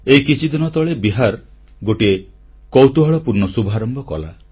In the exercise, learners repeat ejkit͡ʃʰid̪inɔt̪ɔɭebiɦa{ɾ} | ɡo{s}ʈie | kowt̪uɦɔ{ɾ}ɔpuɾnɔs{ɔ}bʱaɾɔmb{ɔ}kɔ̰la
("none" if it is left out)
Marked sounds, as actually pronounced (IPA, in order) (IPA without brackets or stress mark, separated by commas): ɾ, none, ɭ, u, ɔ